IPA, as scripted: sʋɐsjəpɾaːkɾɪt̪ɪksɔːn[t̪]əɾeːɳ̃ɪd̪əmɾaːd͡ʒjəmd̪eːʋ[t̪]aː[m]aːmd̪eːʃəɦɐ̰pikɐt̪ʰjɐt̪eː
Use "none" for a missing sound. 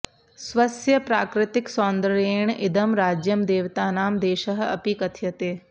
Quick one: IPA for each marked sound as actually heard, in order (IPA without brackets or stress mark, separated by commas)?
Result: d̪, t̪, n